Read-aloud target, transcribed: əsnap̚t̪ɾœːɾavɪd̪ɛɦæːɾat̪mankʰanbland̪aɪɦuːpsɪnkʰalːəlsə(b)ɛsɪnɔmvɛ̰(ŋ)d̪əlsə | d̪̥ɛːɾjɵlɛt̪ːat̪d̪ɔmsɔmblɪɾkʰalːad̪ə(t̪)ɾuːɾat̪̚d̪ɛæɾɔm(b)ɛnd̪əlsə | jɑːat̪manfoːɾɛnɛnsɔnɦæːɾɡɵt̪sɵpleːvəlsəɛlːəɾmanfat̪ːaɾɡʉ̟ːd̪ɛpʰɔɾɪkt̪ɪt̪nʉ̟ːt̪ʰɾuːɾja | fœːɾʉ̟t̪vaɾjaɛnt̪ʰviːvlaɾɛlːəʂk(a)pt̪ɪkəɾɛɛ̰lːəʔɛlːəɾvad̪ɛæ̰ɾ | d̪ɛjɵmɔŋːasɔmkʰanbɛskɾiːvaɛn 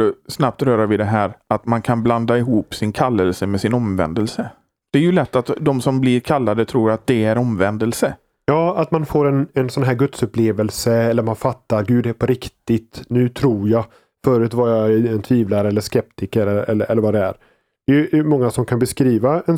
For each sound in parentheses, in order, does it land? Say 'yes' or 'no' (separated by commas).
no, no, no, no, no